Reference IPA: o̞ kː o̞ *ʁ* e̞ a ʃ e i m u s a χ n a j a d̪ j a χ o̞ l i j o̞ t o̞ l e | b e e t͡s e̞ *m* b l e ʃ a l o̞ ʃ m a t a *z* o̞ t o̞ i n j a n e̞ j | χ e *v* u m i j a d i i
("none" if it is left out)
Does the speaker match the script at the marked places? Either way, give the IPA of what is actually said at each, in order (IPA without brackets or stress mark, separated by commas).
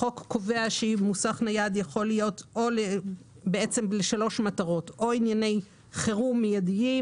v, m, ʁ, ʁ